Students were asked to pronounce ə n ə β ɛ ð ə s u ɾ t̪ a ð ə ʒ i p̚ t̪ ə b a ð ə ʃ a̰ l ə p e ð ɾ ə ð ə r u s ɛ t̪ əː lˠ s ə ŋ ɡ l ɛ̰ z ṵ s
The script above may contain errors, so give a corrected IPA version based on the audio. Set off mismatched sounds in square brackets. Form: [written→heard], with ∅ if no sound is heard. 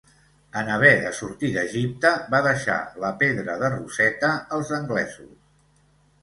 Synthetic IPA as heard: ə n ə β ɛ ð ə s u ɾ t̪ [a→i] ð ə ʒ i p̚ t̪ ə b a ð ə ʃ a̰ l ə p e ð ɾ ə ð ə r u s ɛ t̪ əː lˠ [s→z] ə ŋ ɡ l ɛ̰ z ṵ s